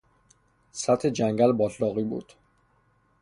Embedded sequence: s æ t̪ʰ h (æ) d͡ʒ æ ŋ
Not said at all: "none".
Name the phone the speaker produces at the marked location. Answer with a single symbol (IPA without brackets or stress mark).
e